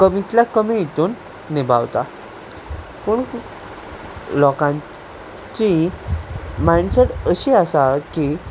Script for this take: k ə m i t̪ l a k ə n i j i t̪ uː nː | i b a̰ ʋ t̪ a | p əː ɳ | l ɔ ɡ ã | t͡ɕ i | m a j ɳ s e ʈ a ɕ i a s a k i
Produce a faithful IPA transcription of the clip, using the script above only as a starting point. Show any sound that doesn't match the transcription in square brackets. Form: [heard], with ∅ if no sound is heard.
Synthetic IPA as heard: k ə m i t̪ l a k ə [m] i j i t̪ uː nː | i b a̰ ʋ t̪ a | p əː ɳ | l ɔ [k] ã | t͡ɕ i | m a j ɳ s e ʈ [ə] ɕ i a s a k i